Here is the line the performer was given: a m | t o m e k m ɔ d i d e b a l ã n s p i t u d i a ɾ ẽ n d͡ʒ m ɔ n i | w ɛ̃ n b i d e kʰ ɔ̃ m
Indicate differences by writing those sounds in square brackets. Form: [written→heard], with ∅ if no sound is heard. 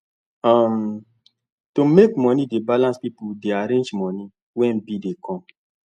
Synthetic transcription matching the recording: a m | t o m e k m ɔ [d→n] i d e b a l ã n s p i [t→p] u d [i→e] a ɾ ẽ n d͡ʒ m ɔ n i | w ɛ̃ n b i d e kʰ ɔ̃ m